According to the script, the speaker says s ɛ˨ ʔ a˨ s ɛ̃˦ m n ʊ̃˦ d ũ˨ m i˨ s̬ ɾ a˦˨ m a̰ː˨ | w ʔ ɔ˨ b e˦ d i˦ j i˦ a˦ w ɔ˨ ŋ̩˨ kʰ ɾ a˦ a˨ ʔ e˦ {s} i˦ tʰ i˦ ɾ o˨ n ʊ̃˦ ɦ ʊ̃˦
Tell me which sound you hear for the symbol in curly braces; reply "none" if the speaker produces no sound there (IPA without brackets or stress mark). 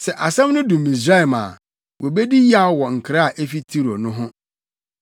f